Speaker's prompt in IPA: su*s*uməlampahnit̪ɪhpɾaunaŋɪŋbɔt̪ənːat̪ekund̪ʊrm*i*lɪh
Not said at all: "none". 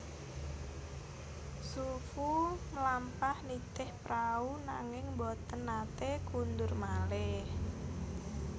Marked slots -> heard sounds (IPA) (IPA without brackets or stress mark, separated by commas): f, a